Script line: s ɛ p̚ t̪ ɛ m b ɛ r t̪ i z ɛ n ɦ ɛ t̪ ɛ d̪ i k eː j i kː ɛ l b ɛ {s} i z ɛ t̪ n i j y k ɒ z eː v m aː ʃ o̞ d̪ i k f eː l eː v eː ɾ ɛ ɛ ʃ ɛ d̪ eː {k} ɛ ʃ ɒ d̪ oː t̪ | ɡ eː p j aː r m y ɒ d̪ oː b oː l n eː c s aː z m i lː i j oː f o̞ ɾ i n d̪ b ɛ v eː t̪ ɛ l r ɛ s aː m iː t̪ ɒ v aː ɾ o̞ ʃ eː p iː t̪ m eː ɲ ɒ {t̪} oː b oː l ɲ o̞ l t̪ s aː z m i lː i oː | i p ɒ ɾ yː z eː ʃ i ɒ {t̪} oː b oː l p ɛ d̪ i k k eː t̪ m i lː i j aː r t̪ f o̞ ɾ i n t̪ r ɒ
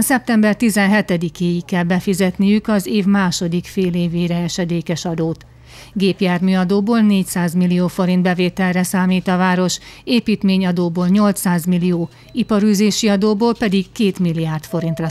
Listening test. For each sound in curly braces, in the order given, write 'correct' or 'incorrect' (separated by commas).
incorrect, correct, incorrect, incorrect